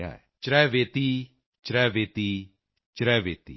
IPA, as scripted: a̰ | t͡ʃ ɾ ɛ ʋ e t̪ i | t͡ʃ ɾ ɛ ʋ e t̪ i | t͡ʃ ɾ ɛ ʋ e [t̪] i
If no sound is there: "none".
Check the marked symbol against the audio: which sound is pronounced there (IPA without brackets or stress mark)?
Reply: t̪